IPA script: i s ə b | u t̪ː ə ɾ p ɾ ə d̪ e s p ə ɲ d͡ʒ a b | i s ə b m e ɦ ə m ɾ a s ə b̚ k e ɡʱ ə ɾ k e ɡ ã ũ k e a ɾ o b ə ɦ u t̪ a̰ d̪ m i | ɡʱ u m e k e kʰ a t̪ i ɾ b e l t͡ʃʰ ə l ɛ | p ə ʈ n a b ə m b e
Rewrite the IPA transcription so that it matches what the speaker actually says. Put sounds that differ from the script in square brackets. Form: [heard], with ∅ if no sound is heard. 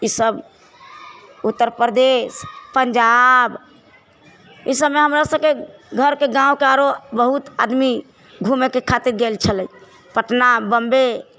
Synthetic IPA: i s ə b | u t̪ː ə ɾ p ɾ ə d̪ e s p ə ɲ d͡ʒ a b | i s ə b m e ɦ ə m ɾ a s ə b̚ k e ɡʱ ə ɾ k e ɡ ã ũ k e a ɾ o b ə ɦ u t̪ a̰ d̪ m i | ɡʱ u m e k e kʰ a t̪ i ɾ [ɡ] e l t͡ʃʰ ə l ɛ | p ə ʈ n a b ə m b e